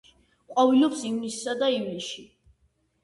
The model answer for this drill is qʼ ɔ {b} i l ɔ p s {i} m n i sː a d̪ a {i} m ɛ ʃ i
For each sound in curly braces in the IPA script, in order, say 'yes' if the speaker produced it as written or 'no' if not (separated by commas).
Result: no, yes, yes